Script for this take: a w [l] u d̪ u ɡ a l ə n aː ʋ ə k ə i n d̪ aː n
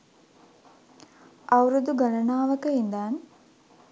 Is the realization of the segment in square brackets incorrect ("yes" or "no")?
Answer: yes